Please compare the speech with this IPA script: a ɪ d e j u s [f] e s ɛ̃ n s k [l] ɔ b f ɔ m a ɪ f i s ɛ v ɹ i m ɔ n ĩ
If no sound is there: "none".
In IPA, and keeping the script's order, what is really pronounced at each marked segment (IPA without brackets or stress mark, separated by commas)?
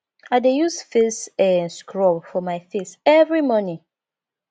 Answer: f, ɹ